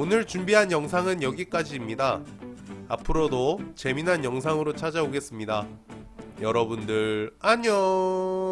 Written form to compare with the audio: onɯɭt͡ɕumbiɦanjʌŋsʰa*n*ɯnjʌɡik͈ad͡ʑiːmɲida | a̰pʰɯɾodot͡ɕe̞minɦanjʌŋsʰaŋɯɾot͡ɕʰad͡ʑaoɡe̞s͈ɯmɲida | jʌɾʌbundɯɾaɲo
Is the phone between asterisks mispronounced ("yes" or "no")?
yes